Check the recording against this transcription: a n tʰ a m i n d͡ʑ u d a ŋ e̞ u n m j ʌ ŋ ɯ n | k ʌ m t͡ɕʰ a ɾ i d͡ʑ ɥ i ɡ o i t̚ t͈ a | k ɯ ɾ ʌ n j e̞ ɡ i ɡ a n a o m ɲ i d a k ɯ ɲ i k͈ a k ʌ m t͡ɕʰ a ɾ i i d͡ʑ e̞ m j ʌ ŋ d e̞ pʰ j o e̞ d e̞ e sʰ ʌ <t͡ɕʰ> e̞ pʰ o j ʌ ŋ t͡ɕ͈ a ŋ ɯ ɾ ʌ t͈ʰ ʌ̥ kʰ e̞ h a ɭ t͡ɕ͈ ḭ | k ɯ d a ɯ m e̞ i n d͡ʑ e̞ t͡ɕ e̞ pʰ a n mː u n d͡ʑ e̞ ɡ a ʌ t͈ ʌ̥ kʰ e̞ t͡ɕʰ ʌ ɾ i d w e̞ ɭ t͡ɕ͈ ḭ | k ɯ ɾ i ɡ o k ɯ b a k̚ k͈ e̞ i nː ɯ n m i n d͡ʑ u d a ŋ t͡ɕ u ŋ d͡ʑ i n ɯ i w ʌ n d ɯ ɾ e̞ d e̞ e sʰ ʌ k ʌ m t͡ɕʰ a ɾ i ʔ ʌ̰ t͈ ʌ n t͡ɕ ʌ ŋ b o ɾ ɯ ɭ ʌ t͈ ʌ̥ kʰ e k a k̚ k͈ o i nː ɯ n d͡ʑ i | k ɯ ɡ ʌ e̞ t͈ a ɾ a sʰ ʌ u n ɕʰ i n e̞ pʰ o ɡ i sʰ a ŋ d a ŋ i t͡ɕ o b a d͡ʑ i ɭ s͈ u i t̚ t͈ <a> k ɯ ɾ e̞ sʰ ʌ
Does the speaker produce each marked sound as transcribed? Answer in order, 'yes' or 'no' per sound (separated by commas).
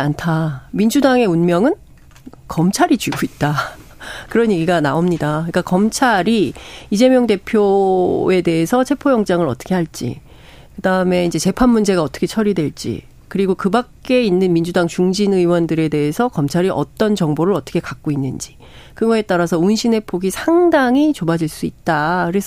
yes, yes